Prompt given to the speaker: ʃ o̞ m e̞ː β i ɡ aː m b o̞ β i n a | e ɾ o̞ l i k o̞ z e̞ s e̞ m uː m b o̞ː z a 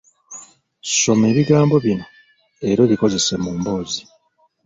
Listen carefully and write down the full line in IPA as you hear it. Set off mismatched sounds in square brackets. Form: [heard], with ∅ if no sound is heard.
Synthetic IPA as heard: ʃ o̞ m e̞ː β i ɡ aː m b o̞ β i n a | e ɾ o̞ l i k o̞ z e̞ s e̞ m uː m b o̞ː z [i]